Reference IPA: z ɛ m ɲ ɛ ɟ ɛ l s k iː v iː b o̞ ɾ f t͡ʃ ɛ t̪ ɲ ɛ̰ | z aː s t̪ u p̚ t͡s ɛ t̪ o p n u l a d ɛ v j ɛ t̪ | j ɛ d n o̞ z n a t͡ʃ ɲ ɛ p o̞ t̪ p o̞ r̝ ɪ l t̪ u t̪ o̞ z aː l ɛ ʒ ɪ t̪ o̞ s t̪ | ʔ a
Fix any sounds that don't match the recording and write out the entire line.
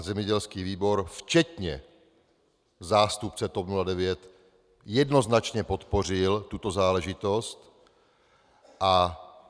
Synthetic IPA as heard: z ɛ m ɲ ɛ ɟ ɛ l s k iː v iː b o̞ ɾ f t͡ʃ ɛ t̪ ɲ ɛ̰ | z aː s t̪ u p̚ t͡s ɛ t̪ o p n u l a d ɛ v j ɛ t̪ | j ɛ d n o̞ z n a t͡ʃ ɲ ɛ p o̞ t̪ p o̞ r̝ ɪ l t̪ u t̪ o̞ z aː l ɛ ʒ ɪ t̪ o̞ s t̪ | ʔ a